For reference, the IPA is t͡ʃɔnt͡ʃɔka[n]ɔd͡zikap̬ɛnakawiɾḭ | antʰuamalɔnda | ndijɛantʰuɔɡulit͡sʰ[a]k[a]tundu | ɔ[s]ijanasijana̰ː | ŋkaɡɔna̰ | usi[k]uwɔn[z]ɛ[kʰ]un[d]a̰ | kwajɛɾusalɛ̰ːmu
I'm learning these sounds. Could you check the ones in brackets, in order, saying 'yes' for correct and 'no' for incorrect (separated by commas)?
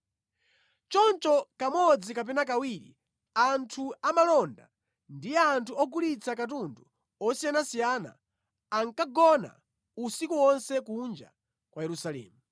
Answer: no, yes, yes, yes, yes, no, no, no